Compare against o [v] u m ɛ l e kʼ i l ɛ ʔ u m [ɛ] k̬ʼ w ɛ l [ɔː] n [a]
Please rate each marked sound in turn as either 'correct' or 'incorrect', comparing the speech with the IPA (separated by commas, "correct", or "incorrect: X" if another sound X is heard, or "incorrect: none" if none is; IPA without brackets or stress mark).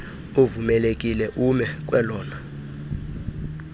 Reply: correct, correct, correct, correct